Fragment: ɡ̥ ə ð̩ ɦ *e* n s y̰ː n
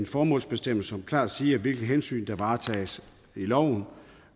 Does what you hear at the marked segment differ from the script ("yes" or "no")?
no